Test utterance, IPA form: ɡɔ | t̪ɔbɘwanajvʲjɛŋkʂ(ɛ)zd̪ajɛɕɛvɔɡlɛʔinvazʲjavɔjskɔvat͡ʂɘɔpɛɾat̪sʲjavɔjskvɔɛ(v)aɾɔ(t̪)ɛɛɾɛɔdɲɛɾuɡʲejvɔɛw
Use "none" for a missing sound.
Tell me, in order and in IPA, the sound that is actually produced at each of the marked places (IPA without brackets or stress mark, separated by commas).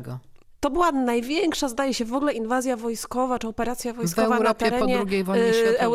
a, v, t̪